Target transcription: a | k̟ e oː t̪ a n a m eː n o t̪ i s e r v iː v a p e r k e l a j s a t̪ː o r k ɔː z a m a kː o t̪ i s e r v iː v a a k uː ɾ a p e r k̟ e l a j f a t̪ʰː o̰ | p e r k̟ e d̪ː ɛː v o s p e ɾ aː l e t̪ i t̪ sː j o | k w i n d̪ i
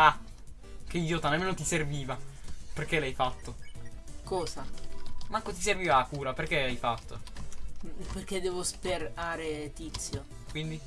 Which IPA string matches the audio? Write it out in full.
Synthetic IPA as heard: a | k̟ e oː t̪ a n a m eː n o t̪ i s e r v iː v a p e r k e l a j f a t̪ː o k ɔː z a m a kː o t̪ i s e r v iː v a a k uː ɾ a p e r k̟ e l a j f a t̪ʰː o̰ | p e r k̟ e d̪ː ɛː v o s p e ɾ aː ɾ e t̪ i t̪ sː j o | k w i n d̪ i